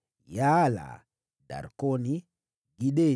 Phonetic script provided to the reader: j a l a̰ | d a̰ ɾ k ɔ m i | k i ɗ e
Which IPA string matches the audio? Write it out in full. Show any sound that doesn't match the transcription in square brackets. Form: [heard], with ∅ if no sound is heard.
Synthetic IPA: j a l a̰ | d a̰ ɾ k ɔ [n] i | [ɡ] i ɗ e